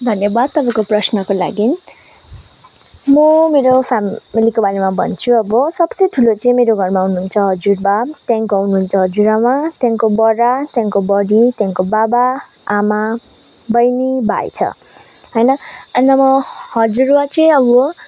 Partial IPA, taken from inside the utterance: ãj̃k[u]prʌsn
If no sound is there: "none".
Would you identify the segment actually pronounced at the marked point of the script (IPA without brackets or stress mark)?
o